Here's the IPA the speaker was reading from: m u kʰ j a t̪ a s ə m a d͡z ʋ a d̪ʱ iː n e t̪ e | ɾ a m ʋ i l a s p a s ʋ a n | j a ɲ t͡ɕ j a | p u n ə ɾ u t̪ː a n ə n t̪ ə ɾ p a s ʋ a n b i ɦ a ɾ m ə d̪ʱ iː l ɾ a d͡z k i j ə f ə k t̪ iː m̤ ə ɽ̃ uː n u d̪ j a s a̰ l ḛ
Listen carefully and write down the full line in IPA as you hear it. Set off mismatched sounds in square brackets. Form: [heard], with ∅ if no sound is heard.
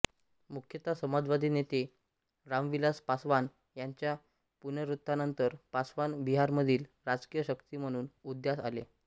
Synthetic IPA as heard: m u kʰ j [ə] t̪ a s ə m a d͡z ʋ a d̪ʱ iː n e t̪ e | ɾ a m ʋ i l a s p a s ʋ a n | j a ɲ t͡ɕ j a | p u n ə ɾ u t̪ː a n ə n t̪ ə ɾ p a s ʋ a n b i ɦ a ɾ m ə d̪ʱ iː l ɾ a d͡z k i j ə [ɕ] ə k t̪ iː m̤ ə ɽ̃ uː n u d̪ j a s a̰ l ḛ